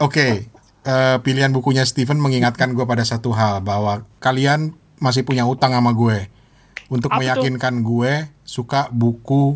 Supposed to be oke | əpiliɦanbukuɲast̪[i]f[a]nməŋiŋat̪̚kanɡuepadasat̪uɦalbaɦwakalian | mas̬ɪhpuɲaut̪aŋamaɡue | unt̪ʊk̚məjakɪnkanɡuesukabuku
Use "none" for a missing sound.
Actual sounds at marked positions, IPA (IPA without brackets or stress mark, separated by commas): i, ə